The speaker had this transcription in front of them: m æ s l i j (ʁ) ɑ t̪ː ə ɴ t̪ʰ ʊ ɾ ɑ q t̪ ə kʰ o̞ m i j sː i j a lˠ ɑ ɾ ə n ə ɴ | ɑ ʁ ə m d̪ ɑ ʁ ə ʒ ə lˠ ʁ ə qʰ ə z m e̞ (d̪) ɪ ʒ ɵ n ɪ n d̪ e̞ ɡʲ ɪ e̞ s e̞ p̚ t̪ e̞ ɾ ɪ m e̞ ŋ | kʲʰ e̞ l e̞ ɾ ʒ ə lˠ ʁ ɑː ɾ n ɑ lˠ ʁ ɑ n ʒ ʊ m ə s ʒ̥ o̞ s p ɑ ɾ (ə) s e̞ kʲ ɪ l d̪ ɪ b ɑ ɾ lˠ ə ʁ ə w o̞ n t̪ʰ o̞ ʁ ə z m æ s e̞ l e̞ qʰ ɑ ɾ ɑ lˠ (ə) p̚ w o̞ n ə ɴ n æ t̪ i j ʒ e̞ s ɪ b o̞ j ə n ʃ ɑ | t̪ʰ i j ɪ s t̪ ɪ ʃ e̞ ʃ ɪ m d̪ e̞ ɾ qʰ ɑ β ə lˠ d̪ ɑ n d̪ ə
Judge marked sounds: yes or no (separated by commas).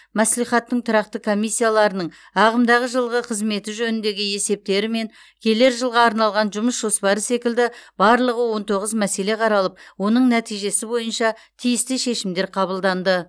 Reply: no, no, yes, yes